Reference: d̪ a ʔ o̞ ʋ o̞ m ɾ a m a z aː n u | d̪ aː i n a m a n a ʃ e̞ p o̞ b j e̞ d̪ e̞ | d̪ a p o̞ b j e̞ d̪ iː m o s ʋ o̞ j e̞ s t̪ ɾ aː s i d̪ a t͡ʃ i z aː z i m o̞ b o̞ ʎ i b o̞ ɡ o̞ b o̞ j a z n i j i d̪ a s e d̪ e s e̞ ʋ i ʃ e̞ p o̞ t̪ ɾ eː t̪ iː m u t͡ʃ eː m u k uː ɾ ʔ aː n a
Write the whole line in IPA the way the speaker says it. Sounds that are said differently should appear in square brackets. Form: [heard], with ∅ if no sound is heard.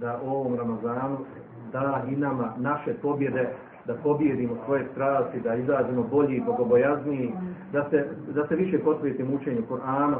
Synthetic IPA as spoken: d̪ a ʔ o̞ ʋ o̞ m ɾ a m a z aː n u | d̪ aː i n a m a n a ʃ e̞ p o̞ b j e̞ d̪ e̞ | d̪ a p o̞ b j e̞ d̪ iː m o s ʋ o̞ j e̞ s t̪ ɾ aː s i d̪ a [∅] i z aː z i m o̞ b o̞ ʎ i b o̞ ɡ o̞ b o̞ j a z n i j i d̪ a s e d̪ [a] s e̞ ʋ i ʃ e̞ p o̞ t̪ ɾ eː t̪ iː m u t͡ʃ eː [ɲ] u k [u] ɾ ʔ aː n a